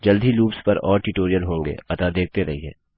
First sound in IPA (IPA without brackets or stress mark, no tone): d͡ʒ